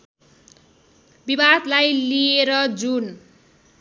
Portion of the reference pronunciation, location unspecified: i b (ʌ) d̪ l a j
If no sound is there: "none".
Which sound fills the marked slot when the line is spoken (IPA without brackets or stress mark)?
a